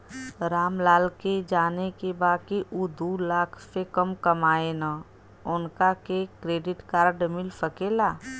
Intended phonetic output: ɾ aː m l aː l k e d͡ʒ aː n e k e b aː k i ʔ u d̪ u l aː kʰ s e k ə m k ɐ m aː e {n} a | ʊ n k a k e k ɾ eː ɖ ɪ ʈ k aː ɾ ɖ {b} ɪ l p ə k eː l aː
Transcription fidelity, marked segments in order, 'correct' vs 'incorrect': correct, incorrect: m

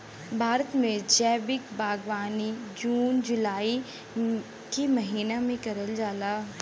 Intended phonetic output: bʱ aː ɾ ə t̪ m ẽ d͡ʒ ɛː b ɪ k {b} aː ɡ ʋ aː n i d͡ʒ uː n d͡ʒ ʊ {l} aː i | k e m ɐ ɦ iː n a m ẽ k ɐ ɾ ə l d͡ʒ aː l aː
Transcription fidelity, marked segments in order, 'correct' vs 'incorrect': correct, correct

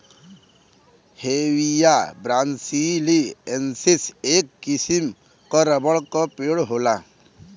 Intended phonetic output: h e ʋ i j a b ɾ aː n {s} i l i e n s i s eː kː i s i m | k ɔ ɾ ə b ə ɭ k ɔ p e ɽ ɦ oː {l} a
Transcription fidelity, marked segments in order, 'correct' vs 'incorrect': correct, correct

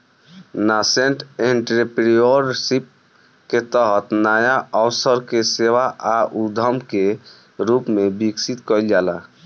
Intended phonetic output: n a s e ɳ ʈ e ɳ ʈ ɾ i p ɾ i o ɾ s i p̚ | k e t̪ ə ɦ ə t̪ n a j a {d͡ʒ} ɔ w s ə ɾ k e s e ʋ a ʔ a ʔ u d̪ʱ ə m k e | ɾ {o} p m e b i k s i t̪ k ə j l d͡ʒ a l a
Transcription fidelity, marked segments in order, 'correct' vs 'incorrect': incorrect: none, incorrect: u

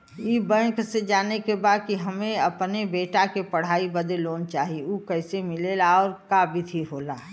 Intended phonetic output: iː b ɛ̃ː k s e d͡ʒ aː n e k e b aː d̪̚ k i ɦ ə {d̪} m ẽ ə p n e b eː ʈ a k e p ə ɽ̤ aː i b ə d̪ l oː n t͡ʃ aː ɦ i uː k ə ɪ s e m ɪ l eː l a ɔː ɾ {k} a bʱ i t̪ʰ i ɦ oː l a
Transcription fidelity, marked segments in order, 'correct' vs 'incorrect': incorrect: none, correct

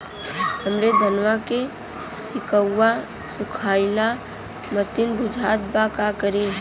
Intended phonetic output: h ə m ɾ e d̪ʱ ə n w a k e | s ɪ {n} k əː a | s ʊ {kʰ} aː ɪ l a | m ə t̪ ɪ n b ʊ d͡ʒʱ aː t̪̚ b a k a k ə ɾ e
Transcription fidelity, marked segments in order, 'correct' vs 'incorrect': incorrect: none, correct

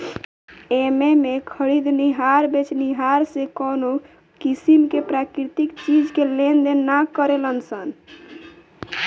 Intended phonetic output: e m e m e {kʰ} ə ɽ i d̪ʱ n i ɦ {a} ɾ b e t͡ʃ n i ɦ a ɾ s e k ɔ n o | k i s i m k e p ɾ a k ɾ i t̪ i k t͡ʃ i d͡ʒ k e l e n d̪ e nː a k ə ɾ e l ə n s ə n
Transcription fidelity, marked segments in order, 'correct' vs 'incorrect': correct, correct

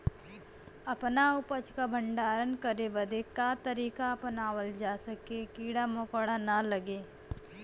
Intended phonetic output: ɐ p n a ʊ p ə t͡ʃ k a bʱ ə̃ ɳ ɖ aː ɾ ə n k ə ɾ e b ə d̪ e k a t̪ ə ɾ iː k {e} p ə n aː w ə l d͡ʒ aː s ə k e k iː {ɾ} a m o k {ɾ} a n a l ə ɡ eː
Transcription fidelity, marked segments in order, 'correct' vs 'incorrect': incorrect: a, incorrect: ɽ, incorrect: ɽ

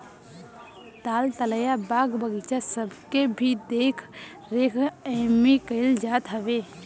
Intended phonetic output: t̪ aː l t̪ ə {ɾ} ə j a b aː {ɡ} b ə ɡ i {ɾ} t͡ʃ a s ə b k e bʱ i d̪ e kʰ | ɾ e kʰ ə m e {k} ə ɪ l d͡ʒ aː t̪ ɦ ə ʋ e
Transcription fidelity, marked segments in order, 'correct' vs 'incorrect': incorrect: l, correct, incorrect: none, correct

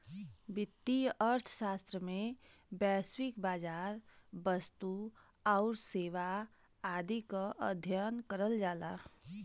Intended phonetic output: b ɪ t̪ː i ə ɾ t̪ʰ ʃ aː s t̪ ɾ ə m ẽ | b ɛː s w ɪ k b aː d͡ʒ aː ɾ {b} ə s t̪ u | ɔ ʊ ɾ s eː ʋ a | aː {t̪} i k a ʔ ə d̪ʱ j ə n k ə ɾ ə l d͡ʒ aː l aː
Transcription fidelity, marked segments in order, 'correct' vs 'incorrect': correct, incorrect: d̪

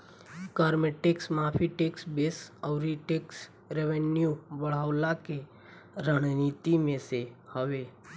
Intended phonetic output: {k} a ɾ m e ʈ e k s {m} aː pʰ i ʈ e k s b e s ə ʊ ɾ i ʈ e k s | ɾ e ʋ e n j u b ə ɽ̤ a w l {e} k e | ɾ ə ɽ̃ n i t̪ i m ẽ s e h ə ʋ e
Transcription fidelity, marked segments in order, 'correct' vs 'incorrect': correct, correct, incorrect: a

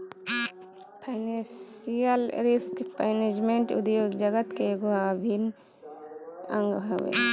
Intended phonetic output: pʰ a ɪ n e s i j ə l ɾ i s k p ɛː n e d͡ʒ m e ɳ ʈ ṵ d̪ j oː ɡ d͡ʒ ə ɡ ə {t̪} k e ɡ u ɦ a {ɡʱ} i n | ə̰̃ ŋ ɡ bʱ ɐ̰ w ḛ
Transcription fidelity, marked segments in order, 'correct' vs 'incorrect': correct, incorrect: bʱ

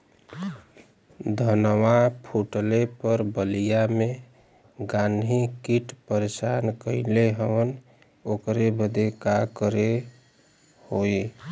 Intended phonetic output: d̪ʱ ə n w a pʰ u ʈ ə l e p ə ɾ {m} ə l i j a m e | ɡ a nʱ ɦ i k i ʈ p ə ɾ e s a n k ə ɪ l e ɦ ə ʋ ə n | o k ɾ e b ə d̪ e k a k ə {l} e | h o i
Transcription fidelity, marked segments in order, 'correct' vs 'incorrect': incorrect: b, incorrect: ɾ

